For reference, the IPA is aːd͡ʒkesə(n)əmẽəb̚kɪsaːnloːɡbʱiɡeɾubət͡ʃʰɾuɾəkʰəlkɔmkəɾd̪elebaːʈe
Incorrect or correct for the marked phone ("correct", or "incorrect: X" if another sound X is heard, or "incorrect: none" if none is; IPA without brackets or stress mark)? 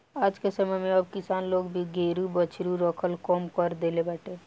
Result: incorrect: m